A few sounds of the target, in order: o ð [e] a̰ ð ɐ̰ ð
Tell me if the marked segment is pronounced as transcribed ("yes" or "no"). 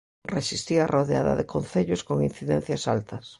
yes